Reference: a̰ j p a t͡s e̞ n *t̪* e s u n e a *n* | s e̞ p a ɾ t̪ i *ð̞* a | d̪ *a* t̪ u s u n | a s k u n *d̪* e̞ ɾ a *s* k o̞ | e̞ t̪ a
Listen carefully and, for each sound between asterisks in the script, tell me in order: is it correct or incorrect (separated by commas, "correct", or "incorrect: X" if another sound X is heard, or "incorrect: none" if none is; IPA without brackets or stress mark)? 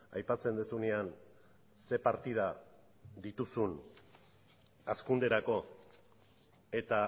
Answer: incorrect: d̪, correct, correct, incorrect: i, correct, incorrect: none